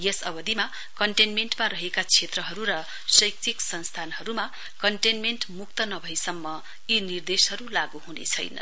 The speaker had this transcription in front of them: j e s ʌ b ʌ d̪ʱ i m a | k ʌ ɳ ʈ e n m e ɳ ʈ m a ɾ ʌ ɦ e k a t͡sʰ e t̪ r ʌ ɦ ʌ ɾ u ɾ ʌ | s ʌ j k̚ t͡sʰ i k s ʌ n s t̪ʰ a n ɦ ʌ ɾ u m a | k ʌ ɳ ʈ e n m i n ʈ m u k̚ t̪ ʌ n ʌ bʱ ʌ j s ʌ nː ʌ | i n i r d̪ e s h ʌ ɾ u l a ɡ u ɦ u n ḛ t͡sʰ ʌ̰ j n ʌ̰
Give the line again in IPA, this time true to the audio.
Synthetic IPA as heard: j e s ʌ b ʌ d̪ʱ i m a | k ʌ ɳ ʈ e n m e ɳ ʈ m a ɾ ʌ ɦ e k a t͡sʰ e t̪ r ʌ ɦ ʌ ɾ u ɾ ʌ | s ʌ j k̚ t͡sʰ i k s ʌ n s t̪ʰ a n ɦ ʌ ɾ u m a | k ʌ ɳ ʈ e n m e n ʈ m u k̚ t̪ ʌ n ʌ bʱ ʌ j s ʌ mː ʌ | i n i r d̪ e s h ʌ ɾ u l a ɡ u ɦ u n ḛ t͡sʰ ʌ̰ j n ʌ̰

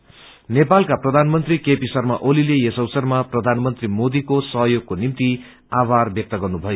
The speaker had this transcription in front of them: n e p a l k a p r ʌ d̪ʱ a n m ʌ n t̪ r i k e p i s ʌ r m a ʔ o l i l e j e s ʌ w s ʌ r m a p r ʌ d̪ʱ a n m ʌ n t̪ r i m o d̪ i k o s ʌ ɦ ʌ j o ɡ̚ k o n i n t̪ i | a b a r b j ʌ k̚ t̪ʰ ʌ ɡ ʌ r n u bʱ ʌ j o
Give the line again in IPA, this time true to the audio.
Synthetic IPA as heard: n e p a l k a p r ʌ d̪ʱ a n m ʌ n t̪ r i k e p i s ʌ r m a ʔ o l i l e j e s ʌ w s ʌ r m a p r ʌ d̪ʱ a n m ʌ n t̪ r i m o d̪ i k o s ʌ ɦ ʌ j o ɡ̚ k o n i m t̪ i | a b a r b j ʌ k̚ t̪ ʌ ɡ ʌ r n u bʱ ʌ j o

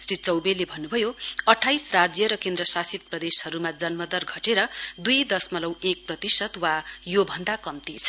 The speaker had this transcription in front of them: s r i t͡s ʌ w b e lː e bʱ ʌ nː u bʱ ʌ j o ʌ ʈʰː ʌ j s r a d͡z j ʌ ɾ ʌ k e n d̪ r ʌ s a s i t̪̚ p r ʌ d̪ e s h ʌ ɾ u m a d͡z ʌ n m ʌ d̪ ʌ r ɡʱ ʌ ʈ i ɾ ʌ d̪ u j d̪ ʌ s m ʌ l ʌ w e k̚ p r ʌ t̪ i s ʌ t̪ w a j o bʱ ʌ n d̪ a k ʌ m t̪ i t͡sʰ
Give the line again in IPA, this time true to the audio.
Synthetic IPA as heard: s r i t͡s ʌ w b e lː e bʱ ʌ nː u bʱ ʌ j o ʌ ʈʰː a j s r a d͡z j ʌ ɾ ʌ k e n d̪ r ʌ s a s i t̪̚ p r ʌ d̪ e s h ʌ ɾ u m a d͡z ʌ n m ʌ d̪ ʌ r ɡʱ ʌ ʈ e ɾ ʌ d̪ u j d̪ ʌ s m ʌ l ʌ w e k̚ p r ʌ t̪ i s ʌ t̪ w a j o bʱ ʌ n d̪ a k ʌ m t̪ i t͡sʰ

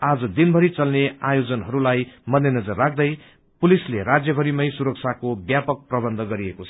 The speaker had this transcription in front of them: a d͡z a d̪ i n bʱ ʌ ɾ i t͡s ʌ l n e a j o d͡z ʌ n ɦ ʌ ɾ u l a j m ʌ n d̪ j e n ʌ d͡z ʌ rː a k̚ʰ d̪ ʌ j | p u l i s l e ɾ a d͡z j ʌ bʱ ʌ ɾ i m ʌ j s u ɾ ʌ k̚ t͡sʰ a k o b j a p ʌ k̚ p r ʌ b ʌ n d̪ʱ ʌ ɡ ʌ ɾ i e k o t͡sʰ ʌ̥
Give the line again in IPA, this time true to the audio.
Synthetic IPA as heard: a d͡z ʌ d̪ i n bʱ ʌ ɾ i t͡s ʌ l n e a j o d͡z ʌ n ɦ ʌ ɾ u l a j m ʌ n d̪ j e n ʌ d͡z ʌ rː a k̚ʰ d̪ ʌ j | p u l i s l e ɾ a d͡z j ʌ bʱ ʌ ɾ i m ʌ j s u ɾ ʌ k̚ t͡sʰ a k o b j a p ʌ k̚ p r ʌ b ʌ n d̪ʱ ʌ ɡ ʌ ɾ i e k o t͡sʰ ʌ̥

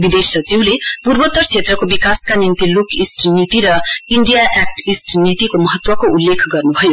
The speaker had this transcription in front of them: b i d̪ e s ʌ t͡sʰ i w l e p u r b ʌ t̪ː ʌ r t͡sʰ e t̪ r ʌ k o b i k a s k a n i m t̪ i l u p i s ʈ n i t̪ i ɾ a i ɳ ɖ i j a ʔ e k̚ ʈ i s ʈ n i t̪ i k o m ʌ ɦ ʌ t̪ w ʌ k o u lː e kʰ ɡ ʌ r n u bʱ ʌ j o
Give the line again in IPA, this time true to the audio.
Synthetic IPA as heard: b i d̪ e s ʌ t͡s i w l e p u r b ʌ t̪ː ʌ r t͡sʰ e t̪ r ʌ k o b i k a s k a n i m t̪ i l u k i s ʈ n i t̪ i ɾ ʌ i ɳ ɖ i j a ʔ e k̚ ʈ i s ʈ n i t̪ i k o m ʌ ɦ ʌ t̪ w ʌ k o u lː e kʰ ɡ ʌ r n u bʱ ʌ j o

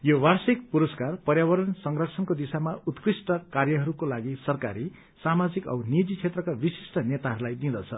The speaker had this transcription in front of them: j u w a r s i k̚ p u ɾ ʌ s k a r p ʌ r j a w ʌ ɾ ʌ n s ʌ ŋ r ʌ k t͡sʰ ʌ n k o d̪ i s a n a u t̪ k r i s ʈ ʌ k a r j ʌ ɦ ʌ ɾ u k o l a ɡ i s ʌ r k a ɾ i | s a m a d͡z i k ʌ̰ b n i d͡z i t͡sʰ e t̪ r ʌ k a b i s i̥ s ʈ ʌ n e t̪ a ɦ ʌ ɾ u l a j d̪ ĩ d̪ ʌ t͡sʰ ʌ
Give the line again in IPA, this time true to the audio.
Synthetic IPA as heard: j o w a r s i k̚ p u ɾ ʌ s k a r p ʌ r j a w ʌ ɾ ʌ n s ʌ ŋ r ʌ k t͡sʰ ʌ n k o d̪ i s a m a u t̪ k r i s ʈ ʌ k a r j ʌ ɦ ʌ ɾ u k o l a ɡ i s ʌ r k a ɾ i | s a m a d͡z i k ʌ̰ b n i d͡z i t͡sʰ e t̪ r ʌ k a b i s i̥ s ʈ ʌ n e t̪ a ɦ ʌ ɾ u l a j d̪ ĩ d̪ ʌ t͡sʰ ʌ

